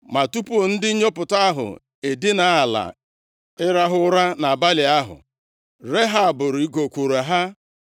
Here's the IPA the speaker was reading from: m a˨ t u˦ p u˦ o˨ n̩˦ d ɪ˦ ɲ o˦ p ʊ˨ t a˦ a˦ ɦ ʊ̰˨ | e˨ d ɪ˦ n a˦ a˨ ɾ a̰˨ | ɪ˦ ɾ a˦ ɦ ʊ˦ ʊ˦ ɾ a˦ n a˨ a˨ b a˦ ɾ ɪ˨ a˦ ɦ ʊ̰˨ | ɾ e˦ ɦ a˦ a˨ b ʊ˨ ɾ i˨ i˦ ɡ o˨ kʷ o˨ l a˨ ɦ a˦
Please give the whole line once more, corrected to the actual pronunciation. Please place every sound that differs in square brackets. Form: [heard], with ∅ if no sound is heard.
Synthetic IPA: m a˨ t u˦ p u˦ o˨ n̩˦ d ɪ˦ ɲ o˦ p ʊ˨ t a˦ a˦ ɦ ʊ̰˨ | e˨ d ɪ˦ n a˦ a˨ [l] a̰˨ | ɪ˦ ɾ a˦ ɦ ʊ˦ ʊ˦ ɾ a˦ n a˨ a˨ b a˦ [l] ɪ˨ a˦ ɦ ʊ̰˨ | ɾ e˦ ɦ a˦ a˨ b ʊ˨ ɾ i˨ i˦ ɡ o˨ kʷ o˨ [ɾ] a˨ ɦ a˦